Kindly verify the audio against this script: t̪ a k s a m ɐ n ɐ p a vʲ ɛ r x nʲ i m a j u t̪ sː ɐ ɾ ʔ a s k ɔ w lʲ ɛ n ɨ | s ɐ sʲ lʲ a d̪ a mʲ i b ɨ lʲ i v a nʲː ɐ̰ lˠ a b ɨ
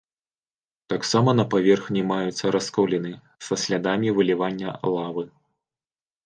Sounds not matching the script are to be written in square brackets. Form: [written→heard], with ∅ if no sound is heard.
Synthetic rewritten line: t̪ a k s a m ɐ n ɐ p a vʲ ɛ r x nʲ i m a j u t̪ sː ɐ ɾ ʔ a s k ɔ w lʲ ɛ n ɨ | s ɐ sʲ lʲ a d̪ a mʲ i [b→v] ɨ lʲ i v a nʲː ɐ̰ lˠ a [b→v] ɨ